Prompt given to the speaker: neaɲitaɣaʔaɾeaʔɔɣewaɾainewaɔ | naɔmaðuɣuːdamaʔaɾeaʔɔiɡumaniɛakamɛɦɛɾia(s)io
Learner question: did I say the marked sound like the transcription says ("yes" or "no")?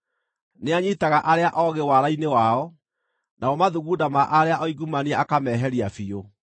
no